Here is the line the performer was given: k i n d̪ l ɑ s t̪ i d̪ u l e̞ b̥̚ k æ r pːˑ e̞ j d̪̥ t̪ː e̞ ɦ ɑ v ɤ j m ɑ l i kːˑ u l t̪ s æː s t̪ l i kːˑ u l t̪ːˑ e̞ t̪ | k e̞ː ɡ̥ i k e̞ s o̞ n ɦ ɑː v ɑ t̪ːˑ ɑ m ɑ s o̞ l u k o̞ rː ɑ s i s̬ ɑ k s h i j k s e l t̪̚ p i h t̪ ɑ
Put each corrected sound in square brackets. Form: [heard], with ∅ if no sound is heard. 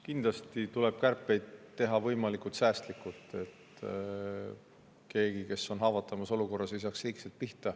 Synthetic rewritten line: k i n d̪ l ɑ s t̪ i [t̪] u l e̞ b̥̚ k æ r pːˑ e̞ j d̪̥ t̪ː e̞ ɦ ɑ v ɤ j m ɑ l i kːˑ u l t̪ s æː s t̪ l i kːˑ u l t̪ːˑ e̞ t̪ | k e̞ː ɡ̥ i k e̞ s o̞ n ɦ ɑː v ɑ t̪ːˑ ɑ m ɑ s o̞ l u k o̞ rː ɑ s i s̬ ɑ k s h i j k s e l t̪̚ p i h t̪ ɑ